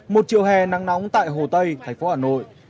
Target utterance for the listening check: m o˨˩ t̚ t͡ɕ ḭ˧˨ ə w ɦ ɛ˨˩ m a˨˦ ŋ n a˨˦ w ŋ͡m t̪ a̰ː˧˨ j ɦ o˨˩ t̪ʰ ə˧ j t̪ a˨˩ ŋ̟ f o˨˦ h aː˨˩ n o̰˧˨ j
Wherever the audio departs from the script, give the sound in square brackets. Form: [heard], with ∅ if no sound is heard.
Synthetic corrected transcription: m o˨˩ t̚ t͡ɕ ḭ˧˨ ə w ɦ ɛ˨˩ [n] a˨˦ ŋ n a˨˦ w ŋ͡m t̪ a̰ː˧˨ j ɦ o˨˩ [t̪] ə˧ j [t̪ʰ] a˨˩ ŋ̟ f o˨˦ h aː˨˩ n o̰˧˨ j